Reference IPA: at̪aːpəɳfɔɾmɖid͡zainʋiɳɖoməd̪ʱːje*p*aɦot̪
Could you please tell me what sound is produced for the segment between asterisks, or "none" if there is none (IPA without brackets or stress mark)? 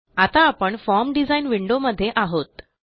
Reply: ʔ